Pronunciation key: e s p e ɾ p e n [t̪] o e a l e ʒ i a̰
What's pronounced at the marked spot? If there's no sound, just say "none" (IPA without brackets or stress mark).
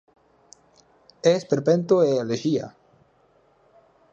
t̪